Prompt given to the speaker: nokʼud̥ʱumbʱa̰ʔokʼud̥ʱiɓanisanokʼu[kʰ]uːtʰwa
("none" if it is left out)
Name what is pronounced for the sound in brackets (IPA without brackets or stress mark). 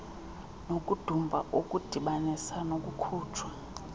kʰ